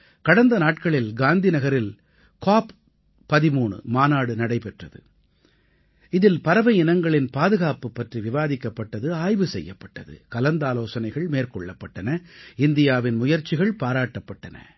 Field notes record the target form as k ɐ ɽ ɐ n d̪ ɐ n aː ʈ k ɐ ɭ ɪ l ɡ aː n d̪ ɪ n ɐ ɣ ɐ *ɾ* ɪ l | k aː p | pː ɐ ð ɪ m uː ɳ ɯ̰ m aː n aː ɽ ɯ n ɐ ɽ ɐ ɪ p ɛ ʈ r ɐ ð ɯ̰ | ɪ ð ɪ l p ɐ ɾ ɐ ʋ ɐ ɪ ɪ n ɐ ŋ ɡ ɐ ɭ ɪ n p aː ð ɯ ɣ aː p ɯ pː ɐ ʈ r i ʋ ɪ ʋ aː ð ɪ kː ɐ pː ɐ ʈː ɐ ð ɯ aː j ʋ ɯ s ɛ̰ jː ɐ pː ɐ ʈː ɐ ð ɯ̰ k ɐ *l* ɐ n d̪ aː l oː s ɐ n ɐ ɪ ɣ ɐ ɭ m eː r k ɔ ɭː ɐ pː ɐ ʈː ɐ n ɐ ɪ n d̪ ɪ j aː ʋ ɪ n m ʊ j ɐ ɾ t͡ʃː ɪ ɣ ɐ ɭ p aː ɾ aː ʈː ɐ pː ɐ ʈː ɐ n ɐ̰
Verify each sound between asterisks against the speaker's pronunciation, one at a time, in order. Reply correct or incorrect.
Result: correct, correct

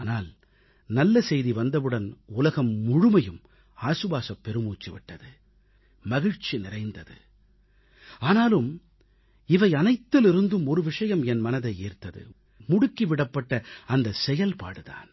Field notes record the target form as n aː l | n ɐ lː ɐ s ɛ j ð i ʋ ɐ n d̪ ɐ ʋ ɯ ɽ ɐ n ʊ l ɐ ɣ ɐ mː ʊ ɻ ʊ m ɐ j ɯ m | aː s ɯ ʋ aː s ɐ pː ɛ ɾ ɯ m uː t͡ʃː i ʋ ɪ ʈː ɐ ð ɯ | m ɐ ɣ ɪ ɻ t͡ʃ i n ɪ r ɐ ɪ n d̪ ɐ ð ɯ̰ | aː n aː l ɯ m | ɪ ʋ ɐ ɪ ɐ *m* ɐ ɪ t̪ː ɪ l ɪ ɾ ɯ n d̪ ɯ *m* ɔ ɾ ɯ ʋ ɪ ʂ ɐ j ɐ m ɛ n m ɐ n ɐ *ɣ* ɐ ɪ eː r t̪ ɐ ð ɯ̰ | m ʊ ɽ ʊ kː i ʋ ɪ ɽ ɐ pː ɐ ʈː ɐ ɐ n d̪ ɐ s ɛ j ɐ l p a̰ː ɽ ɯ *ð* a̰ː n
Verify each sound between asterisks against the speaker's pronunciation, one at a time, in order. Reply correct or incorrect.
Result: incorrect, correct, incorrect, correct

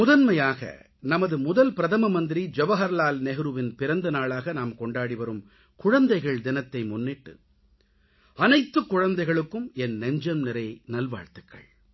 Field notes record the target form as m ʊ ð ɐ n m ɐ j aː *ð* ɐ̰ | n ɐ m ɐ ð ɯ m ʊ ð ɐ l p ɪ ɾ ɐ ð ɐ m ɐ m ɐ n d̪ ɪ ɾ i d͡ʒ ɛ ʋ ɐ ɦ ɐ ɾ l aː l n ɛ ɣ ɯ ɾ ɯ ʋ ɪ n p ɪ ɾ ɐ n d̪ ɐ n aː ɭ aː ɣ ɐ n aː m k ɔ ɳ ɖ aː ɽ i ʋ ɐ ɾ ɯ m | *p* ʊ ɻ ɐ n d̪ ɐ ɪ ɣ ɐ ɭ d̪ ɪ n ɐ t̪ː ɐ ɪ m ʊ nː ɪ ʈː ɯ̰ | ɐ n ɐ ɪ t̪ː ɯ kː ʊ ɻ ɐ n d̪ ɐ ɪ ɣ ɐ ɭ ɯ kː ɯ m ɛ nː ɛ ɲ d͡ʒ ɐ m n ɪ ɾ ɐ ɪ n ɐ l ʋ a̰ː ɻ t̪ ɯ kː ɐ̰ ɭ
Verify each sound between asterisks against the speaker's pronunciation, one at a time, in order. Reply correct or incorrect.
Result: incorrect, incorrect

